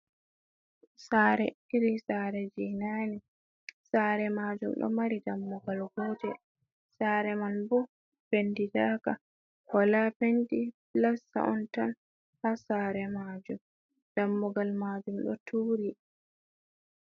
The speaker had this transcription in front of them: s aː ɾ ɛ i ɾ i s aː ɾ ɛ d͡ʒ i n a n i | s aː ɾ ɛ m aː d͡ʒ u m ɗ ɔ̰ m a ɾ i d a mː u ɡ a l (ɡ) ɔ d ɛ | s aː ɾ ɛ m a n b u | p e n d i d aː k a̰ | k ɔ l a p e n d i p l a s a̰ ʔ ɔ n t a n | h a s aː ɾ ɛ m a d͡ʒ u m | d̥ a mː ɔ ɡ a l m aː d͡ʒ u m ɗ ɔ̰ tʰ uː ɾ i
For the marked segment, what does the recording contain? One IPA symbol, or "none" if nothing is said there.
ɡ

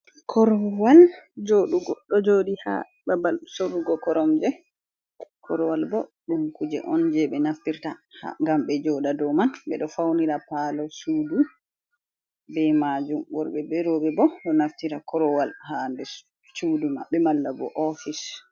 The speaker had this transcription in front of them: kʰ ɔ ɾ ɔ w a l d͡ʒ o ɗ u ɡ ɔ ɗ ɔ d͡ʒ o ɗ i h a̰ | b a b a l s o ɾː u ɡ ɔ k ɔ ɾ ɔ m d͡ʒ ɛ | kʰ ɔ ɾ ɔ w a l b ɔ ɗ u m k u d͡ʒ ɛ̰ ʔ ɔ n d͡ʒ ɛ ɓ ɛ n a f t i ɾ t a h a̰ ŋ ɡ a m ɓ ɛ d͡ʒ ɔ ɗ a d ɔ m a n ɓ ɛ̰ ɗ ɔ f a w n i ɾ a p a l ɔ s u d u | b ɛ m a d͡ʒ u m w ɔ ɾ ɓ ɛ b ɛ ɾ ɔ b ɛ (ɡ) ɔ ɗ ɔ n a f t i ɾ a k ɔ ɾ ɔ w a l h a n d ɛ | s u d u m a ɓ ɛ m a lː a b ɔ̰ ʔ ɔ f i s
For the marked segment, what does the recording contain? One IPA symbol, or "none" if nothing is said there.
b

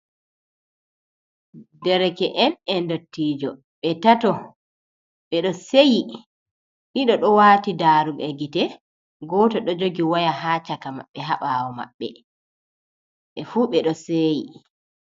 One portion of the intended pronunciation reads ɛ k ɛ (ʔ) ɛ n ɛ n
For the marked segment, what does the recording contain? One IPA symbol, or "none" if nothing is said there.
ʔ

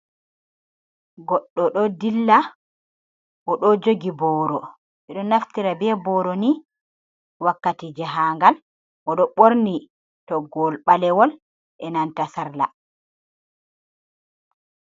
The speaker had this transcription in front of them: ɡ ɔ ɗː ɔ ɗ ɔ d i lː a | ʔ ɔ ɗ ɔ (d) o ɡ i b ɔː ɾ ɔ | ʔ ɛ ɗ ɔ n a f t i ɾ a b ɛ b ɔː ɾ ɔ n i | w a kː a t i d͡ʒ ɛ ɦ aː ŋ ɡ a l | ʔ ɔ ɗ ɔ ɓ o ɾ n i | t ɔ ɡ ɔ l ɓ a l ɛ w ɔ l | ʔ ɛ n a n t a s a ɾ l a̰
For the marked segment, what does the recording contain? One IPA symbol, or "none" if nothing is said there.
d͡ʒ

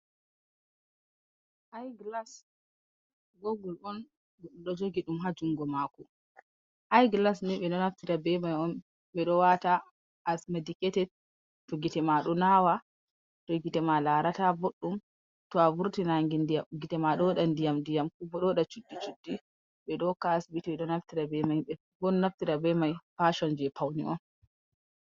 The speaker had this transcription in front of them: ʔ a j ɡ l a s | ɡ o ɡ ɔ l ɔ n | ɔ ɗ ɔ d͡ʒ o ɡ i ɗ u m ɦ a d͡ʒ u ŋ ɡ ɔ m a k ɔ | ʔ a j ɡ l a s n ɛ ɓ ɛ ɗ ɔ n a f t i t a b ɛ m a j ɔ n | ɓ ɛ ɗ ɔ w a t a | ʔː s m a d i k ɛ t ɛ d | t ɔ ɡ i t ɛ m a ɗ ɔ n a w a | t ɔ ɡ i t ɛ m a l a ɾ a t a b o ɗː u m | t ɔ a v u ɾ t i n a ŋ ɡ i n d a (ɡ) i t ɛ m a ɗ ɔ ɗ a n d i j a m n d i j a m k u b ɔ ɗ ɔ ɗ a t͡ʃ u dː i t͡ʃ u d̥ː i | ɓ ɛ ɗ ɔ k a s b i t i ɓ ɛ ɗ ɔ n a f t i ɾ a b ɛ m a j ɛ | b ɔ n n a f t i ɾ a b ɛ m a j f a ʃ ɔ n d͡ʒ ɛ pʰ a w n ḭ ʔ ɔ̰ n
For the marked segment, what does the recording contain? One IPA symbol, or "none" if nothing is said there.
ɡ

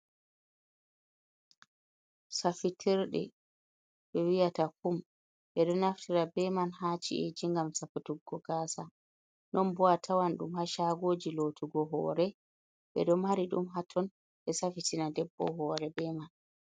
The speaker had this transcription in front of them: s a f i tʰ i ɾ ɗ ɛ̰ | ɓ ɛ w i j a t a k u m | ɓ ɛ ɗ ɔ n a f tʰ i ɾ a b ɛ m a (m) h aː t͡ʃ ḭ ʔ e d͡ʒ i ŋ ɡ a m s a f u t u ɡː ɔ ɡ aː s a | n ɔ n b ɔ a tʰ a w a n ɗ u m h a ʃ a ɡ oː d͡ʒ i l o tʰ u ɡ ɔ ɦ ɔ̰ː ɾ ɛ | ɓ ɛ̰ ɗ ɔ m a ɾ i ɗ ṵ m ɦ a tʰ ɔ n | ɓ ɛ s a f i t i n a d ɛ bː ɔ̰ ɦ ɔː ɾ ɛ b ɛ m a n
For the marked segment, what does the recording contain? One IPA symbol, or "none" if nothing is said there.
n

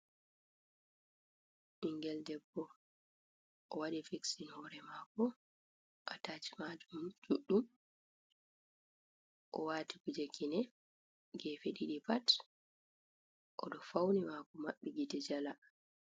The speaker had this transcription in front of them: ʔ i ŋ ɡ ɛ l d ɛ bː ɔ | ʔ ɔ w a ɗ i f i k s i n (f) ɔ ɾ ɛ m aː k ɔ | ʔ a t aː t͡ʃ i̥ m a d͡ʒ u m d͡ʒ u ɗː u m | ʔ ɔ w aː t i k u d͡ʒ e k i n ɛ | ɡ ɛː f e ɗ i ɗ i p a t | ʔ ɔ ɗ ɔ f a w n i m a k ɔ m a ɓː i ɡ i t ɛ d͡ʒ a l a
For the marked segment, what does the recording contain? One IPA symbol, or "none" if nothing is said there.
h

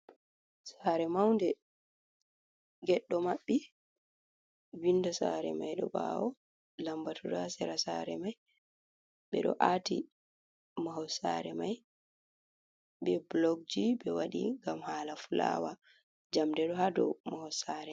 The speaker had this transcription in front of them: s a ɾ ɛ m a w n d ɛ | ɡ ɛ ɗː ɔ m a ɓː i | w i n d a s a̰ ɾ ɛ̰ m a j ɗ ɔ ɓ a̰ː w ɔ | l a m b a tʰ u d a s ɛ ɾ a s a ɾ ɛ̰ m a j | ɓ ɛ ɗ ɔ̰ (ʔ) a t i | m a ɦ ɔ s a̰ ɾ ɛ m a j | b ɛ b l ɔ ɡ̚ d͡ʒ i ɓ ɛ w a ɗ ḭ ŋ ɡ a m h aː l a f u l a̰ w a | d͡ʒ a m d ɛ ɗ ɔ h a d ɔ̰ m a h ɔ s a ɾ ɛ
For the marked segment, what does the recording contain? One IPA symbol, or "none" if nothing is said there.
ʔ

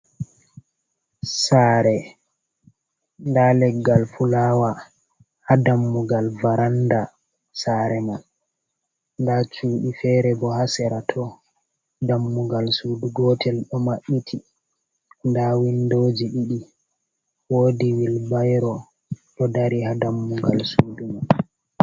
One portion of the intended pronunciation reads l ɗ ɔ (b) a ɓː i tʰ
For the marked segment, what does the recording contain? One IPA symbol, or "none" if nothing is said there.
m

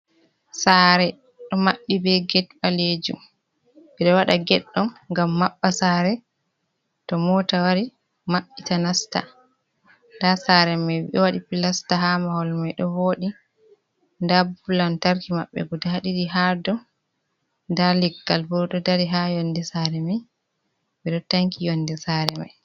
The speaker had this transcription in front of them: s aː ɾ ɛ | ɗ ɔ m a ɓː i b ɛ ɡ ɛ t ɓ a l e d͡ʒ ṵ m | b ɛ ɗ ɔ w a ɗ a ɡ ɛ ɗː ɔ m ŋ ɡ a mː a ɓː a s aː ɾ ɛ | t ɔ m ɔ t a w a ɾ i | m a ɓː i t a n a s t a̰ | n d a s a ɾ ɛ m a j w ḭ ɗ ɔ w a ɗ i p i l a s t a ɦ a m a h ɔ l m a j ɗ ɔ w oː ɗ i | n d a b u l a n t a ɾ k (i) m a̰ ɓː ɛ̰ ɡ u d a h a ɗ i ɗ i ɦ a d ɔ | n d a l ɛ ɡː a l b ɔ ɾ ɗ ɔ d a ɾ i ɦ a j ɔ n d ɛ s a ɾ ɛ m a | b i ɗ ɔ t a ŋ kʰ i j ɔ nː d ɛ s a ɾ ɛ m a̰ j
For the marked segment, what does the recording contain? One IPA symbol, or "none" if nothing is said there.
i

